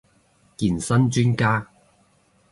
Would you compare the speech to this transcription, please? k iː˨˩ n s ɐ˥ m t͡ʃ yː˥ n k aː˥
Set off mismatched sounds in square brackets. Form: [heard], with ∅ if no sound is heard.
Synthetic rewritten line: k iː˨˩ n s ɐ˥ [n] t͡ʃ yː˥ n k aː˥